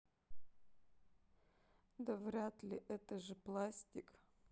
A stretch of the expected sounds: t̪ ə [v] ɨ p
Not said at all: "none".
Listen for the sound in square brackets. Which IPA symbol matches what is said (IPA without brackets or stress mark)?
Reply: ʐ